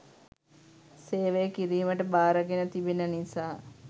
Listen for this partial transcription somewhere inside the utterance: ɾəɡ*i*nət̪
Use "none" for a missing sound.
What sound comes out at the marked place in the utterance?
e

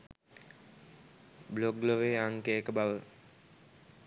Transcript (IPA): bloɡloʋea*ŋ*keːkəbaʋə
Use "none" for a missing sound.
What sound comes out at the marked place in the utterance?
ŋ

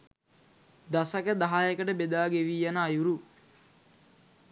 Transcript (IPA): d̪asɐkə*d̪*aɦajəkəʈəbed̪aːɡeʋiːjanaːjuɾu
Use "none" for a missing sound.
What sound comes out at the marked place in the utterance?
d̪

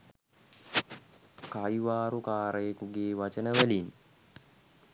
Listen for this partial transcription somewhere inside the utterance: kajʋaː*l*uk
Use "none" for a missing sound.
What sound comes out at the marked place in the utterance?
ɾ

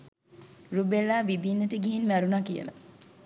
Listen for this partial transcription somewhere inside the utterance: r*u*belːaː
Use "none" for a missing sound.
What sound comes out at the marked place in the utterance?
u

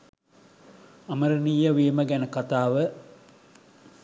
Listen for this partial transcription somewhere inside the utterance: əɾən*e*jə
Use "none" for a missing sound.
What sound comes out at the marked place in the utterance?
i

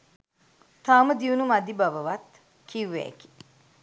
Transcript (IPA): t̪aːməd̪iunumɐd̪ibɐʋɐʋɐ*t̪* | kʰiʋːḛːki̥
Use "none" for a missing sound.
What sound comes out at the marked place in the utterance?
t̪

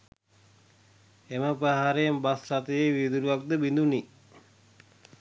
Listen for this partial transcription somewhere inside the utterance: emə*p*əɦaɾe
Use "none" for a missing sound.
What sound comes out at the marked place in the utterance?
p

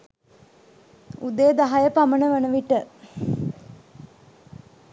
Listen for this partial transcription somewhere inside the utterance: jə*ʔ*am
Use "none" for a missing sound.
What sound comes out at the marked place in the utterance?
p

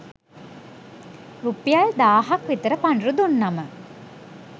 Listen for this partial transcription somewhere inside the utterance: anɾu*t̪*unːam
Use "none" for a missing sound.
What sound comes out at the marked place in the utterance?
d̪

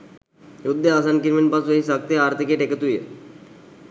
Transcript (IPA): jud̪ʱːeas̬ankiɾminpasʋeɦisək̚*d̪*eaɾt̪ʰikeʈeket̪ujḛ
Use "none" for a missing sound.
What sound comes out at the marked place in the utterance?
t̪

